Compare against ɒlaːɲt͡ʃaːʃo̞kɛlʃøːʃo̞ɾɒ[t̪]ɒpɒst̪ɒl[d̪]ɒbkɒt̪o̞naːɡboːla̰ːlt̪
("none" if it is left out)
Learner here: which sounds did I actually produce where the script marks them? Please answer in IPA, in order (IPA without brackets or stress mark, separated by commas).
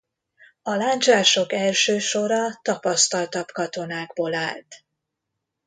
t̪, t̪